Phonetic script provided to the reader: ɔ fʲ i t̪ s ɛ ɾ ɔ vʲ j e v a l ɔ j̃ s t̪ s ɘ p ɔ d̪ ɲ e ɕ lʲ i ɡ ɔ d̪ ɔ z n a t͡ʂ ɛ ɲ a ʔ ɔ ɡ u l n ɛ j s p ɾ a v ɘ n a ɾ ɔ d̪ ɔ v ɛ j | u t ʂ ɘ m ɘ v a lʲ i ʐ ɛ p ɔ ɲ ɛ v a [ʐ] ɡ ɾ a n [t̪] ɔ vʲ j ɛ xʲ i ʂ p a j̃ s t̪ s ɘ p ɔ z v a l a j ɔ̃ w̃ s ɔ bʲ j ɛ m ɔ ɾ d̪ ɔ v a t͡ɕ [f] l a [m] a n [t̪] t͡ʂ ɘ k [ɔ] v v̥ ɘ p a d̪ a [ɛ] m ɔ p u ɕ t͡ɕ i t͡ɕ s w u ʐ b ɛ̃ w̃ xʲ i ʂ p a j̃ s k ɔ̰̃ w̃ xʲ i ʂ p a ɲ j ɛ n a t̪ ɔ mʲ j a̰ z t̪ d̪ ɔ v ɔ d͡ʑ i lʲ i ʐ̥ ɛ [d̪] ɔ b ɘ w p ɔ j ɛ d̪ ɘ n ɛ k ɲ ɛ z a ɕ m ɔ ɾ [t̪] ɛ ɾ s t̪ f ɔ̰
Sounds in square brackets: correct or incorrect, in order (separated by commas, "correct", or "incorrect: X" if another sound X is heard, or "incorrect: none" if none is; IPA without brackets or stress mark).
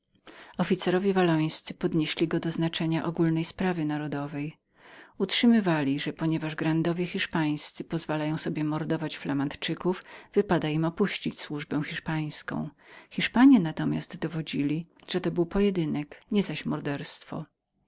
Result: correct, incorrect: d̪, correct, correct, correct, incorrect: u, incorrect: i, incorrect: t̪, incorrect: d̪